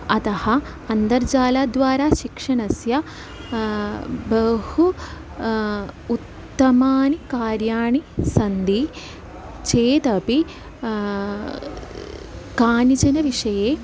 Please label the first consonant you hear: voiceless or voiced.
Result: voiceless